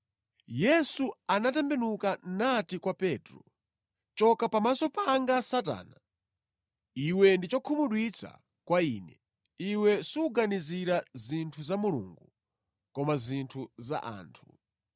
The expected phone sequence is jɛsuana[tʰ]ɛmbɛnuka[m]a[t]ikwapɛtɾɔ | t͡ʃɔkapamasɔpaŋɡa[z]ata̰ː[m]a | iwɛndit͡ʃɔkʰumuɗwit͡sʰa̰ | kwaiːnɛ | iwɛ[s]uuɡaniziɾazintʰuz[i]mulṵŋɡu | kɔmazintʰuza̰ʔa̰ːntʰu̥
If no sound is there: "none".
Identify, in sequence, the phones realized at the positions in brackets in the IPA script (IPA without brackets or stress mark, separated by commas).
t, n, t, s, n, s, a